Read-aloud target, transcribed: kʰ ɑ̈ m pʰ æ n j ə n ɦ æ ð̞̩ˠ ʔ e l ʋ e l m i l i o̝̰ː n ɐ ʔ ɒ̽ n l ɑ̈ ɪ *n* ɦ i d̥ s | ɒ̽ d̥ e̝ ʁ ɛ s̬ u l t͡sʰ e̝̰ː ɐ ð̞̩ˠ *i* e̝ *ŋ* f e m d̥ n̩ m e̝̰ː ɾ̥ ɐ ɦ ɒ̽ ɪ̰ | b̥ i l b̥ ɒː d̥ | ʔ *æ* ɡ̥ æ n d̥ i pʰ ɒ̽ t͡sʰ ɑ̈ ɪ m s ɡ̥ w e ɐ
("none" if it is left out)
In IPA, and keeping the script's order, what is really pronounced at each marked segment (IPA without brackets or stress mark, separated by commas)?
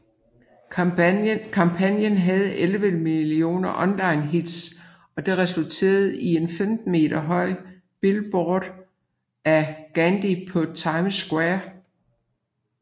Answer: n, i, n, æ